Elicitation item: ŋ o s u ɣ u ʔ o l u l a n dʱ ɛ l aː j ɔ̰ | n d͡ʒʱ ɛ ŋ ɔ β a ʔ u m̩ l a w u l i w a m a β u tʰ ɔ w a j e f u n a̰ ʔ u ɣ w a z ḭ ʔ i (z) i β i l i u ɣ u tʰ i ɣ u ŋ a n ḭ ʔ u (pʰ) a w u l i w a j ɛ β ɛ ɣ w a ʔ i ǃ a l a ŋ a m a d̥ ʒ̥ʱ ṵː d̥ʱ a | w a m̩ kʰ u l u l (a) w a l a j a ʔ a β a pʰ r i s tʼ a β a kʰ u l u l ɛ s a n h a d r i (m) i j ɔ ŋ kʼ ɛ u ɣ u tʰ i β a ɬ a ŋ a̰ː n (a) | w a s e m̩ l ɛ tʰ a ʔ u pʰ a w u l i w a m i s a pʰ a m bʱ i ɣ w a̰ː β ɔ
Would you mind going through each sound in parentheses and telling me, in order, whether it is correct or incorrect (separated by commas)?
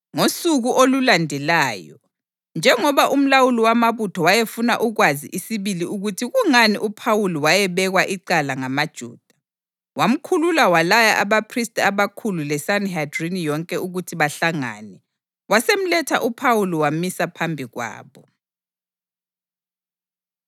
incorrect, correct, correct, incorrect, incorrect